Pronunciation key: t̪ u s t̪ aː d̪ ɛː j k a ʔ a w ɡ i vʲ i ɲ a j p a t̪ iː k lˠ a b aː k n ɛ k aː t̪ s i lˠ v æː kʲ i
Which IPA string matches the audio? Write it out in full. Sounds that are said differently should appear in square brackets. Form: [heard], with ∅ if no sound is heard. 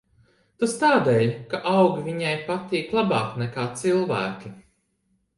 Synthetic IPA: t̪ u s t̪ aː d̪ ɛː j k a ʔ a w ɡ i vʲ i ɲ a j p a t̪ iː k lˠ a b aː k n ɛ k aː t̪ s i lˠ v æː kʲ i